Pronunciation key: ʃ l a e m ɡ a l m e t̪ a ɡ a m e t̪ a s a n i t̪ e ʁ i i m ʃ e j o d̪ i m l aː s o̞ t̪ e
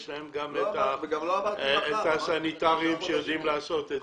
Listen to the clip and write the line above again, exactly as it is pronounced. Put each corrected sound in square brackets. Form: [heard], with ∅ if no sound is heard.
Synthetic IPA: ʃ l a e m ɡ a [∅] m e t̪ a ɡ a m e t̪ a s a n i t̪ [a] ʁ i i m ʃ e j o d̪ i m l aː s o̞ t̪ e